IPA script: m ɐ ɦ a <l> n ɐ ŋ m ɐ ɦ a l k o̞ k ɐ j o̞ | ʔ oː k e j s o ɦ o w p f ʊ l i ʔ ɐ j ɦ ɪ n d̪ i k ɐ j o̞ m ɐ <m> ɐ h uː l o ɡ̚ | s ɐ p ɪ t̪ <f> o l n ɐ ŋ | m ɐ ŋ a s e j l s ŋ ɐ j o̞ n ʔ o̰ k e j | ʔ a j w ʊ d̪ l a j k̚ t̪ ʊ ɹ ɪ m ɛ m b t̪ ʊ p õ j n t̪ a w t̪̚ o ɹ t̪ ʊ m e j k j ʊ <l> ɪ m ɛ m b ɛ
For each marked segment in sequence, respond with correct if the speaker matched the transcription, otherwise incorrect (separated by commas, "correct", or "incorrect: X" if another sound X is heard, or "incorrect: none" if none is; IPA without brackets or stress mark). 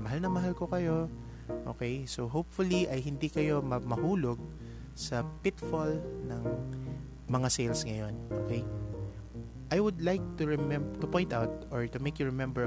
correct, correct, correct, incorrect: ɹ